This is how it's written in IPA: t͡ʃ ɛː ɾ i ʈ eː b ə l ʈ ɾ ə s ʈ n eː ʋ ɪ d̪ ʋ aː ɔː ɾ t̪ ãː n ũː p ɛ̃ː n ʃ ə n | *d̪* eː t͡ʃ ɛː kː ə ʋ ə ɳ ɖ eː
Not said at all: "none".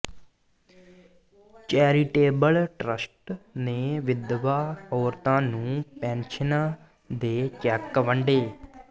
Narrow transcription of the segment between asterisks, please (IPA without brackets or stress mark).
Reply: d̪